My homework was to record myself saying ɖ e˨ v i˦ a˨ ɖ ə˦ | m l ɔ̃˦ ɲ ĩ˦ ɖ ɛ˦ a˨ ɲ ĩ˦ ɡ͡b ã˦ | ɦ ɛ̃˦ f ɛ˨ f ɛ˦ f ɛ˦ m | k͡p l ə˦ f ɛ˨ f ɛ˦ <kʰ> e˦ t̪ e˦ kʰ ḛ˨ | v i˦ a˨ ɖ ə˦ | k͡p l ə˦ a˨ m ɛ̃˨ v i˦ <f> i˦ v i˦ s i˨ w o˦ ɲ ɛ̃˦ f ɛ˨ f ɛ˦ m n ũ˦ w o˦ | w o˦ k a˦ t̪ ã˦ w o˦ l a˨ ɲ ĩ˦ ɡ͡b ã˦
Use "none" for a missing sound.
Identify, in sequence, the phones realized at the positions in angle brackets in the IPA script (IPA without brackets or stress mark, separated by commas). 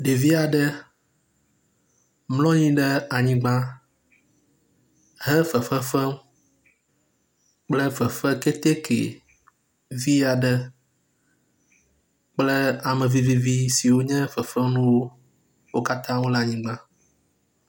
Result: k, v